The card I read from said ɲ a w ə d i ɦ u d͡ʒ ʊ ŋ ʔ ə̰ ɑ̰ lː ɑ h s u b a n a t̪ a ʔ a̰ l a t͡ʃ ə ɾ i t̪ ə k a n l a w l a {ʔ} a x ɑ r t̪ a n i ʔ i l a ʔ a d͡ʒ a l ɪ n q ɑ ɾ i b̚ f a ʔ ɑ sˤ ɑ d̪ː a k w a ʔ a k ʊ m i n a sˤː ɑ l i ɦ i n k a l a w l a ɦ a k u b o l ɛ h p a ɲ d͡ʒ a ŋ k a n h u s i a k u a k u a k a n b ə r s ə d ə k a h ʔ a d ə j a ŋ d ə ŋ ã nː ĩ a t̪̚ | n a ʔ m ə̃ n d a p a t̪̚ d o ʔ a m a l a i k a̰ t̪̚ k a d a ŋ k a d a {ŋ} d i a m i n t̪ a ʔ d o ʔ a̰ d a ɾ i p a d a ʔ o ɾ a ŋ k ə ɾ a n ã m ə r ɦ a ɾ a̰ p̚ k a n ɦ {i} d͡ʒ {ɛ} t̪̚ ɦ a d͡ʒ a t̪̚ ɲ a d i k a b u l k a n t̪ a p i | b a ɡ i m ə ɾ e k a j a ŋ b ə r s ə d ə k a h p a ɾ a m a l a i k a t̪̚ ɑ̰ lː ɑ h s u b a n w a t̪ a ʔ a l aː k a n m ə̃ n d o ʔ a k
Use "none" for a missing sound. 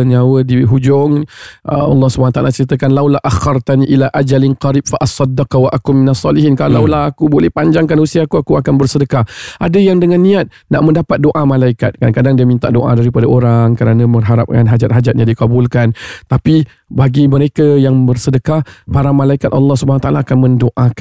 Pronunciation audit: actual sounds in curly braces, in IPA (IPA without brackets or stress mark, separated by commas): ʔ, ŋ, a, a